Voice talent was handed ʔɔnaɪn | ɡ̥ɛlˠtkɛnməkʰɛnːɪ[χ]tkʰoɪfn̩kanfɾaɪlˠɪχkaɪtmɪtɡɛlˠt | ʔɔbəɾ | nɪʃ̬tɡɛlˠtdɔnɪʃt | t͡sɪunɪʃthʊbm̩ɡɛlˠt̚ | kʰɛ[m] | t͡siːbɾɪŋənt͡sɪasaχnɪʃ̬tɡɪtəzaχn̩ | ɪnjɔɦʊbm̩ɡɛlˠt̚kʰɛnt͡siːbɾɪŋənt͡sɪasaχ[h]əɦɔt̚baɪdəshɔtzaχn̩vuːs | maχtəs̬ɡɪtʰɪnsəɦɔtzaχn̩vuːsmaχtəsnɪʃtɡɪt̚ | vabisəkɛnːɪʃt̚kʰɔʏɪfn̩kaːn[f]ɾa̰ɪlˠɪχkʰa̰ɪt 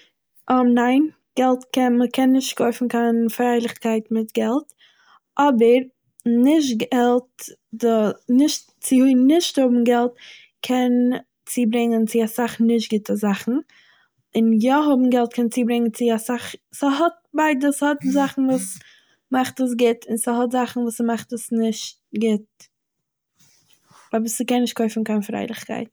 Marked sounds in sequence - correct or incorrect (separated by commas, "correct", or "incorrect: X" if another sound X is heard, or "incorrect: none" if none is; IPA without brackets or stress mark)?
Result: incorrect: ʃ, incorrect: n, incorrect: s, correct